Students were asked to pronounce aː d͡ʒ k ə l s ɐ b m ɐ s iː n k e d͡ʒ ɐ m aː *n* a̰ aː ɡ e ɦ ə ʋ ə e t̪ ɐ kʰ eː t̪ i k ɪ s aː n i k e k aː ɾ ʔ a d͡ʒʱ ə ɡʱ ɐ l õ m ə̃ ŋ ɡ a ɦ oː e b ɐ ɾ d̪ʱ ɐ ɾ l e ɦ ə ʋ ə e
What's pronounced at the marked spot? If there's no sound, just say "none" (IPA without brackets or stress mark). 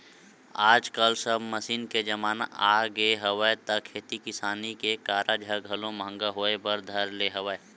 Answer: n